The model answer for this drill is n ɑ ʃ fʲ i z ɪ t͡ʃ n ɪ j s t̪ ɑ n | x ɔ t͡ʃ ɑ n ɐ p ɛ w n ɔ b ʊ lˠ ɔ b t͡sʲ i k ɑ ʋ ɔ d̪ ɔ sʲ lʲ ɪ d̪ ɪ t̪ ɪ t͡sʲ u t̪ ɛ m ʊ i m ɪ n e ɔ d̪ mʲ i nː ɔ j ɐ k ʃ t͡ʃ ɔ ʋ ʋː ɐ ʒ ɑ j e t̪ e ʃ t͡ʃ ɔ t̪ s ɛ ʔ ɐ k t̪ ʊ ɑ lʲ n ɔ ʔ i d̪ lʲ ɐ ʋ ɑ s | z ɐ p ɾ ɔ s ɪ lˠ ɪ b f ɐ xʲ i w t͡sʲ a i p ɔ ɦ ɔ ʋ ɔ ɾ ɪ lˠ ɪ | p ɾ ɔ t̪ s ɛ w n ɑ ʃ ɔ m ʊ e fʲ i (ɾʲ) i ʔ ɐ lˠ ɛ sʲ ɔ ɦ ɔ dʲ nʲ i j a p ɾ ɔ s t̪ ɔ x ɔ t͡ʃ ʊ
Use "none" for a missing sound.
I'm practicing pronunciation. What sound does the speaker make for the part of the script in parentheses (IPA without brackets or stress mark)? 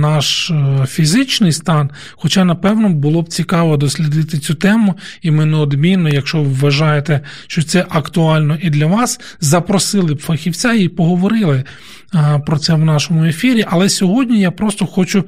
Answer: ɾʲ